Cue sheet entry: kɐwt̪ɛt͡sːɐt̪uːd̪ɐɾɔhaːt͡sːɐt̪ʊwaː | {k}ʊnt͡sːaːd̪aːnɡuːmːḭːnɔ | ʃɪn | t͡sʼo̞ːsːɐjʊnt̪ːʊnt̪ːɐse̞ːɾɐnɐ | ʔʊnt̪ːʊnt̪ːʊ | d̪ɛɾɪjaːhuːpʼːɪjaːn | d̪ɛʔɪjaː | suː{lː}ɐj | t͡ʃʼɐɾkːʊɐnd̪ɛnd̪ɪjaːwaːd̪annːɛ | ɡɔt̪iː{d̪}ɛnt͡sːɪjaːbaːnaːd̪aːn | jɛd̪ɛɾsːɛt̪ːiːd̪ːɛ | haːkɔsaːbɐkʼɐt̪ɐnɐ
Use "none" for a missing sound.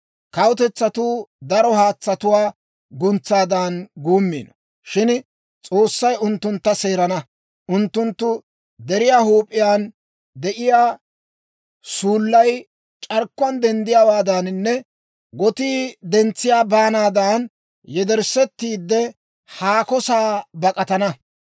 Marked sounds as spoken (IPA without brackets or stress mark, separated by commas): ɡ, lː, d̪